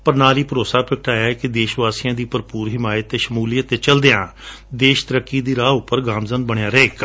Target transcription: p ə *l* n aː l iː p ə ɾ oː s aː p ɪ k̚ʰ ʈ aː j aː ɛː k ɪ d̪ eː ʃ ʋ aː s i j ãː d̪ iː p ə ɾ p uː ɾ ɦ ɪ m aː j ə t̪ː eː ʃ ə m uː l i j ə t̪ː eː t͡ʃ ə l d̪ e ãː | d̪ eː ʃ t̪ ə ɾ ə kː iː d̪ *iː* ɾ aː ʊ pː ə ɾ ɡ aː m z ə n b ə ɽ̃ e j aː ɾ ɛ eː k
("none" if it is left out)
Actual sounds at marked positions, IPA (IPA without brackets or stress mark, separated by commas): ɾ, iː